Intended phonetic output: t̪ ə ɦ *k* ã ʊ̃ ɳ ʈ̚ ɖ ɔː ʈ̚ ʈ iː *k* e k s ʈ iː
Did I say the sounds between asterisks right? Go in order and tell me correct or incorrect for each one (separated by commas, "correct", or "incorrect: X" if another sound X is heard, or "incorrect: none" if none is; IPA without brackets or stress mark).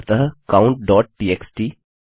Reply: correct, incorrect: none